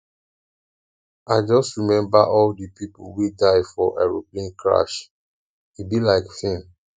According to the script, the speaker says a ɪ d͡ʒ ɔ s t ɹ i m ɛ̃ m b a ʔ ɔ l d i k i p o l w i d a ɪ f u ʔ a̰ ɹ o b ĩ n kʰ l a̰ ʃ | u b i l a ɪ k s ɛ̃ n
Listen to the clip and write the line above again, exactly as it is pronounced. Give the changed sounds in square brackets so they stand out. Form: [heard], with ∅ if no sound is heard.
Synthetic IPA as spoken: a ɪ d͡ʒ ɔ s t ɹ i m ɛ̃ m b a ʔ ɔ l d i [p] i p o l w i d a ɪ f [ɔ] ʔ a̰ ɹ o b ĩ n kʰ [ɹ] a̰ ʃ | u b i l a ɪ k [f] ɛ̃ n